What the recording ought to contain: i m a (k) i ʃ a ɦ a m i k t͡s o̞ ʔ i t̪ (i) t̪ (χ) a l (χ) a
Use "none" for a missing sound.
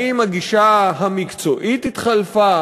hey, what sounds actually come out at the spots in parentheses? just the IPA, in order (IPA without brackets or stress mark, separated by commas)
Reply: ɡ, i, χ, f